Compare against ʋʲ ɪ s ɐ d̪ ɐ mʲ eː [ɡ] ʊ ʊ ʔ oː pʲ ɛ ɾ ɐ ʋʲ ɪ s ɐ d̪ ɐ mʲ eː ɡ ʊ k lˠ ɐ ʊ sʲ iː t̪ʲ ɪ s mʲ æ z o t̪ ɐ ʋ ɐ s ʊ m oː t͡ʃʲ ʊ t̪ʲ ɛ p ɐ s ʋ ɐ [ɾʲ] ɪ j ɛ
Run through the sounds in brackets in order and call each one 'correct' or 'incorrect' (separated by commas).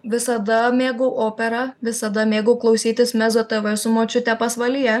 correct, incorrect